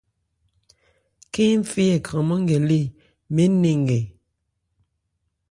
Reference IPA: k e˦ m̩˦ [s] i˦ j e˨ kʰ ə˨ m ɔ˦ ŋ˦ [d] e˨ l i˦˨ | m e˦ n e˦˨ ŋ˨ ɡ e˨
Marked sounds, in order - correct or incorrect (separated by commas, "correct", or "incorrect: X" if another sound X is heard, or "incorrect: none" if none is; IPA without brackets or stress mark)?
incorrect: f, incorrect: ɡ